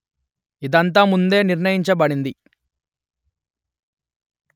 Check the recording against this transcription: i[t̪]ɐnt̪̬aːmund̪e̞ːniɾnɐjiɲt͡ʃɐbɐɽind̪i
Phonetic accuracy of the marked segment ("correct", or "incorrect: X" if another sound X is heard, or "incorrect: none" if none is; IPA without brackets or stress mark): incorrect: d̪